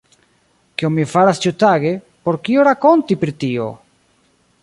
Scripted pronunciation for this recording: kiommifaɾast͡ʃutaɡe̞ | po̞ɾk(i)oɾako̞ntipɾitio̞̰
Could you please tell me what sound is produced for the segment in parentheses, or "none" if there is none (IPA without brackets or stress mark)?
i